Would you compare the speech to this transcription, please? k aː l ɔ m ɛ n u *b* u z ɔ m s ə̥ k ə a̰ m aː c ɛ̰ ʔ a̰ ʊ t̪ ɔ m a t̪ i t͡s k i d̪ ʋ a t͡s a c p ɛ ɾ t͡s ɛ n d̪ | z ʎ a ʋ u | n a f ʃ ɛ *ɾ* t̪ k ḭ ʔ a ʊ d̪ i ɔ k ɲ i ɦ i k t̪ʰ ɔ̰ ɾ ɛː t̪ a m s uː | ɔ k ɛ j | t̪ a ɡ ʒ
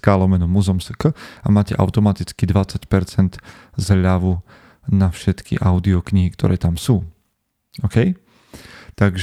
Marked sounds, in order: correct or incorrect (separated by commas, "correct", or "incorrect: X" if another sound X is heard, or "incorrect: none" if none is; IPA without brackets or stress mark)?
incorrect: m, incorrect: none